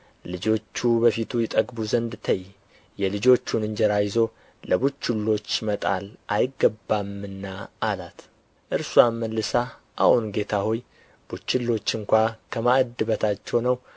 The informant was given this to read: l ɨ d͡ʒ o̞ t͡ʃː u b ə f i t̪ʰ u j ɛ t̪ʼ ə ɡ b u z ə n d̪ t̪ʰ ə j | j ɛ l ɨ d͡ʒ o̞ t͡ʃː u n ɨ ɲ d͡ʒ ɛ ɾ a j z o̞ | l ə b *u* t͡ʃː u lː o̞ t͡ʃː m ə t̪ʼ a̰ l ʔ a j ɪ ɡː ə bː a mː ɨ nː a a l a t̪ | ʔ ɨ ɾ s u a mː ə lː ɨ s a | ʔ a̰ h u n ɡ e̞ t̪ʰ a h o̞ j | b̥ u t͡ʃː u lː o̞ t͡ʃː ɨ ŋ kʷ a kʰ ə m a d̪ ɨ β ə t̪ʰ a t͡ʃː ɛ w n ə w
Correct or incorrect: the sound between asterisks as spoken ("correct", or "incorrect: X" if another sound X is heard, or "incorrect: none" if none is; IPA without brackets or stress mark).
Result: correct